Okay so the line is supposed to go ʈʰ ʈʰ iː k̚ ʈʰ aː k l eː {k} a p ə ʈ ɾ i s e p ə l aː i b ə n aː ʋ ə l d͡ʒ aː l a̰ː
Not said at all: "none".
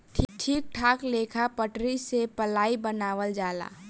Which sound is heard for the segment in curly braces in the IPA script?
kʰ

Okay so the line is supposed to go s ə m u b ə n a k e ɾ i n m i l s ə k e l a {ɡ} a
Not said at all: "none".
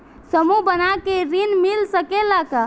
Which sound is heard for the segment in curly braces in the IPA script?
k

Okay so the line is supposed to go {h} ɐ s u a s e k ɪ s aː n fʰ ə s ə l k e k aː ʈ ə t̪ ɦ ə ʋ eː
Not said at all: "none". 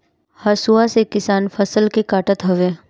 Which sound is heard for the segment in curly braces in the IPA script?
h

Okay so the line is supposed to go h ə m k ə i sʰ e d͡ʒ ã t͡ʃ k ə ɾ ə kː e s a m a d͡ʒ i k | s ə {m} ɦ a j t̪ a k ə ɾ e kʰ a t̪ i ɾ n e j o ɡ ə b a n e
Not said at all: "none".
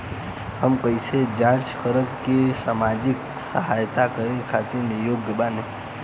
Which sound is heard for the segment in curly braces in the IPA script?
none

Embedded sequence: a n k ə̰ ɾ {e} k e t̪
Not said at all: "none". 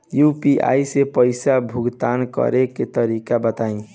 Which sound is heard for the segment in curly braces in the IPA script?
e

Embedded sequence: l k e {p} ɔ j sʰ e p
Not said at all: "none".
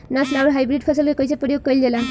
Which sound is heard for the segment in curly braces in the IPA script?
k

